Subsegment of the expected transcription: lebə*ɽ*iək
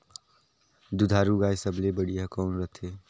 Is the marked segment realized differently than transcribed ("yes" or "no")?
no